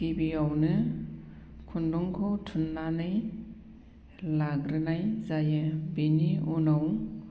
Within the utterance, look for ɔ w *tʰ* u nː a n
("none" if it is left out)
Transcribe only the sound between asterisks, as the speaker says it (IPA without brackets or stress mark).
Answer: tʰ